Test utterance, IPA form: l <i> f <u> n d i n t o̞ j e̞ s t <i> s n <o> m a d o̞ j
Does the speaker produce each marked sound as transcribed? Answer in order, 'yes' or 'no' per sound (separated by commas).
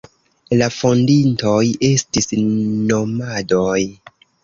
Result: no, no, yes, yes